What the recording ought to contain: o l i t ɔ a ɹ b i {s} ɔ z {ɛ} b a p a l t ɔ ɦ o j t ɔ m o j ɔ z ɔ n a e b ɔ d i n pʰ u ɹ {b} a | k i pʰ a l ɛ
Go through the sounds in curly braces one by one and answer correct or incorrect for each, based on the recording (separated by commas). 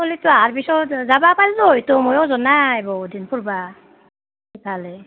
correct, incorrect, correct